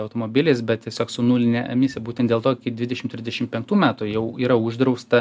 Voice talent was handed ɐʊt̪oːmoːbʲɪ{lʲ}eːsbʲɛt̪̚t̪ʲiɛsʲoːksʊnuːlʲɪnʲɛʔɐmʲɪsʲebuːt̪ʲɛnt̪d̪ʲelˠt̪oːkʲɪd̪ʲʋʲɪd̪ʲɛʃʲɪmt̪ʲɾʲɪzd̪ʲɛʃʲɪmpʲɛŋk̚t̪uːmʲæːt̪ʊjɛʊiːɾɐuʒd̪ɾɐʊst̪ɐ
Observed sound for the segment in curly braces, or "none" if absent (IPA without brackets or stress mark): lʲ